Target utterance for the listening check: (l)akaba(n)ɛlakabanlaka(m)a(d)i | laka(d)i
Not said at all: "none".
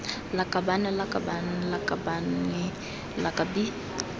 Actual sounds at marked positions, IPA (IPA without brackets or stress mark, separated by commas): l, n, b, n, b